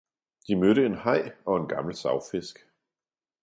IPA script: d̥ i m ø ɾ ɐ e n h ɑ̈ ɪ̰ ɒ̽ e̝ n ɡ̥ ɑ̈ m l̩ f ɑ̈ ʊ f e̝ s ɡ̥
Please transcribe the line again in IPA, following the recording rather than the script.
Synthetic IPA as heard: d̥ i m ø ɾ ə e n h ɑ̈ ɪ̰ ɒ̽ e̝ n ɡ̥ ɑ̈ m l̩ s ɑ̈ ʊ f e̝ s ɡ̥